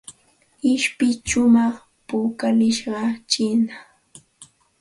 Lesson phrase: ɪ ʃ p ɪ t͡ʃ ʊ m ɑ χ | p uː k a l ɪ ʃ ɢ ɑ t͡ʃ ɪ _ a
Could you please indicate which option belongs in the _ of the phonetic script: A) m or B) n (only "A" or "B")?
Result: B